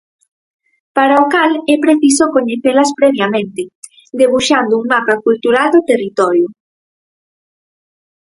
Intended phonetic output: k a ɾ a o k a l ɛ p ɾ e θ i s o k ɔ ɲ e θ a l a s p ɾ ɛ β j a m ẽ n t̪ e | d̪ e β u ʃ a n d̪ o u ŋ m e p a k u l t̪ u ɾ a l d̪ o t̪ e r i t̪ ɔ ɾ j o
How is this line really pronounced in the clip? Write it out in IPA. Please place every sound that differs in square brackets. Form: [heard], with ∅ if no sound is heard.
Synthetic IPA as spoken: [p] a ɾ a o k a l ɛ p ɾ e θ i s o k [o] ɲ e θ [e] l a s p ɾ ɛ β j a m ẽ n t̪ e | d̪ e β u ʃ a n d̪ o u ŋ m [a] p a k u l t̪ u ɾ a l d̪ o t̪ e r i t̪ ɔ ɾ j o